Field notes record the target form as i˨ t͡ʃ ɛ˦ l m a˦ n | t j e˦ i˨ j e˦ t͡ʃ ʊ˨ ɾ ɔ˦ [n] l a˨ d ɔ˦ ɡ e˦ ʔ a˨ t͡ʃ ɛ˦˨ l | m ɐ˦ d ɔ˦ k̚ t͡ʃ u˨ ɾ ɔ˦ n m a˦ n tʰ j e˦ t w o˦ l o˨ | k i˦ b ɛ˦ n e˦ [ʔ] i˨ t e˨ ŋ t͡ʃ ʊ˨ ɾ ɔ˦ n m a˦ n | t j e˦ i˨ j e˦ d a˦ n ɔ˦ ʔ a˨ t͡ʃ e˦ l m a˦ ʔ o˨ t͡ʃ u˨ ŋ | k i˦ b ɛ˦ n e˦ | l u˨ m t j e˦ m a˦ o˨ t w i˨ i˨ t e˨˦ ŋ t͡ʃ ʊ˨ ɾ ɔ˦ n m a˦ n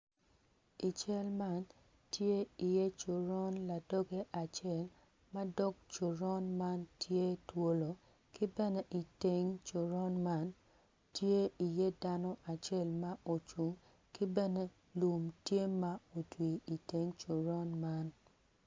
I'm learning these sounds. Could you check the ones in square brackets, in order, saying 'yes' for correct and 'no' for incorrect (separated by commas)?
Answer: yes, yes